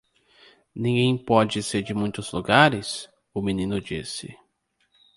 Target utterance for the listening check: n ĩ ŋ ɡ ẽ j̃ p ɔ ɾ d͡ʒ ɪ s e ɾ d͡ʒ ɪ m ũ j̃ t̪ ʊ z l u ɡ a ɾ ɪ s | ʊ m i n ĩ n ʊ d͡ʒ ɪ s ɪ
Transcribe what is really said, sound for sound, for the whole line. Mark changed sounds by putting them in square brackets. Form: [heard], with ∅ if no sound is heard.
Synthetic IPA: n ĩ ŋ ɡ ẽ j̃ p ɔ [∅] d͡ʒ ɪ s e ɾ d͡ʒ ɪ m ũ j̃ t̪ ʊ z l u ɡ a ɾ ɪ s | ʊ m i n ĩ n ʊ d͡ʒ [i] s ɪ

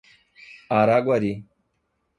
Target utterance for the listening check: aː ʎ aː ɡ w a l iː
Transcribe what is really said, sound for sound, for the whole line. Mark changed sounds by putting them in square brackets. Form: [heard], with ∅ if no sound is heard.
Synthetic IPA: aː [ɾ] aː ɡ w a [ɾ] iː

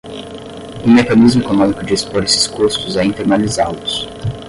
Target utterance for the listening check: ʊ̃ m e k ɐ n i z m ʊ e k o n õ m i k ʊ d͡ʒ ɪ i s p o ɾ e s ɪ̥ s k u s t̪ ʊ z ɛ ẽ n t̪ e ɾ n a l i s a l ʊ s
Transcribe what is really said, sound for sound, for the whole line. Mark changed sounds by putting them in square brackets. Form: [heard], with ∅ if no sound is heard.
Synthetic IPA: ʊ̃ m e k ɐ n i z m ʊ e k o n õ m i k ʊ d͡ʒ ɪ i s p o ɾ e s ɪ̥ s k u s t̪ ʊ z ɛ [ĩ] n t̪ e ɾ n a l i [z] a l ʊ s

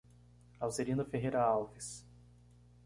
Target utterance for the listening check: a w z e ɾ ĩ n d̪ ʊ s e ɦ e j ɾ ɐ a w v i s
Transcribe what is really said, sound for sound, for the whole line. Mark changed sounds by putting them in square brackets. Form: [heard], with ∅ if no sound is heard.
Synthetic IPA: a w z e ɾ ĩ n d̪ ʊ [f] e ɦ e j ɾ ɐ a w v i s

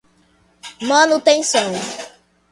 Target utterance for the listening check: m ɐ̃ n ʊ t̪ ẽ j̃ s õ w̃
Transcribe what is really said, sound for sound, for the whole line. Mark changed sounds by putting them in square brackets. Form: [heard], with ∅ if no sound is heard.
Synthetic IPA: m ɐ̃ n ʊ t̪ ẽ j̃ s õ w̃

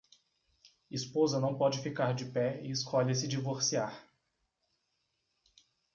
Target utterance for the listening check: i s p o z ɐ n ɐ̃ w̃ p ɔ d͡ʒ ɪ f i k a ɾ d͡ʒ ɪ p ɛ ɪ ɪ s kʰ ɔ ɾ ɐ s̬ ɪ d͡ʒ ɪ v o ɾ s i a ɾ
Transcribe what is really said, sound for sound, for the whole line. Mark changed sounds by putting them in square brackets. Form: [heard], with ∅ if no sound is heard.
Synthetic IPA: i s p o z ɐ n ɐ̃ w̃ p ɔ d͡ʒ ɪ f i k a ɾ d͡ʒ ɪ p ɛ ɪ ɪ s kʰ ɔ [ʎ] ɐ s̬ ɪ d͡ʒ [i] v o ɾ s i a ɾ

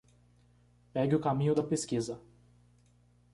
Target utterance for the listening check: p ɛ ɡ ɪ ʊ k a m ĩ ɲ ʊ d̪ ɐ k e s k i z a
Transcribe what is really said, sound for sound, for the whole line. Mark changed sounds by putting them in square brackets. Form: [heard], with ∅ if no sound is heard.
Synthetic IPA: p ɛ ɡ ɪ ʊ k a m ĩ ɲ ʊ d̪ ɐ [p] e s k i z [ɐ]

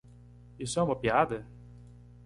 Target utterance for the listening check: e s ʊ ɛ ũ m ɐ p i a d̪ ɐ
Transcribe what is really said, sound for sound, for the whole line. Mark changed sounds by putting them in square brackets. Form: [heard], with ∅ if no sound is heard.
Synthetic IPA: [i] s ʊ ɛ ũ m ɐ p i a d̪ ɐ

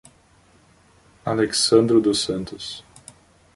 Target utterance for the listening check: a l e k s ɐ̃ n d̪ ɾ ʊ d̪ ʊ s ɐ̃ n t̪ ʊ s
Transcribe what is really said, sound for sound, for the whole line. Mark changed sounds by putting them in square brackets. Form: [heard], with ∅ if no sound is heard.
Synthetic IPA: a l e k s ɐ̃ n d̪ ɾ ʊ d̪ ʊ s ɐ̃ n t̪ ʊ s

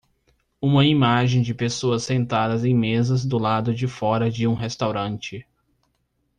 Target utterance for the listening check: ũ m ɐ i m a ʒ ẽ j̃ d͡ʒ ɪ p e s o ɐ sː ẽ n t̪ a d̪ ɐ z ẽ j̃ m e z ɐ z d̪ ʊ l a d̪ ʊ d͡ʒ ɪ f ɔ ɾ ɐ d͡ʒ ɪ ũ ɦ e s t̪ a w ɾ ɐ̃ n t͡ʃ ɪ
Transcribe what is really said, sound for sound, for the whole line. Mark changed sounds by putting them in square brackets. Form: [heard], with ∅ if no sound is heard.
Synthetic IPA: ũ m ɐ i m a ʒ ẽ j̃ d͡ʒ ɪ p e s o ɐ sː ẽ n t̪ a d̪ ɐ z ẽ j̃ m e z ɐ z d̪ ʊ l a d̪ ʊ d͡ʒ ɪ f ɔ ɾ ɐ d͡ʒ ɪ ũ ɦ e s t̪ a w ɾ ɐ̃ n t͡ʃ ɪ

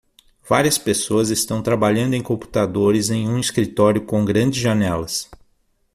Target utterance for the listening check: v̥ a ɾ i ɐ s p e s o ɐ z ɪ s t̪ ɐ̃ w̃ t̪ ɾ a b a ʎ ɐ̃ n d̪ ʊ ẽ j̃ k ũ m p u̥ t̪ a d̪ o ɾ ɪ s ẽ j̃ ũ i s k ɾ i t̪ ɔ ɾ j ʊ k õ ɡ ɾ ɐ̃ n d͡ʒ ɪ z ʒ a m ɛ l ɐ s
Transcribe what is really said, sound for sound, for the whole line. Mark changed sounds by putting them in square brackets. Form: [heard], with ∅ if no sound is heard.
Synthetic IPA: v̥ a ɾ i ɐ s p e s o ɐ z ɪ s t̪ ɐ̃ w̃ t̪ ɾ a b a ʎ ɐ̃ n d̪ ʊ ẽ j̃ k [õ] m p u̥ t̪ a d̪ o ɾ ɪ [z] ẽ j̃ ũ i s k ɾ i t̪ ɔ ɾ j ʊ k õ ɡ ɾ ɐ̃ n d͡ʒ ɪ z ʒ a [n] ɛ l ɐ s

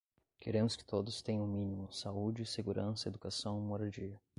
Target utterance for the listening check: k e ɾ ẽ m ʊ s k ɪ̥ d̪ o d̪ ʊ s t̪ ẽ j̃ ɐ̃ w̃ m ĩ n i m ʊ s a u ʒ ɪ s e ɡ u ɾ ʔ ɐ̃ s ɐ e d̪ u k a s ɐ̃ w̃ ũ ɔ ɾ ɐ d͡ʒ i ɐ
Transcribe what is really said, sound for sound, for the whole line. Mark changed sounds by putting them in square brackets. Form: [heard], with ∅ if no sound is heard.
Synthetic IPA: k e ɾ ẽ m ʊ s k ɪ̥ [t̪] o d̪ ʊ s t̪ ẽ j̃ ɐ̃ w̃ m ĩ n i m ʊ s a u [d͡ʒ] ɪ s e ɡ u ɾ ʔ ɐ̃ s ɐ e d̪ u k a s ɐ̃ w̃ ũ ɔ ɾ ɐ d͡ʒ i ɐ

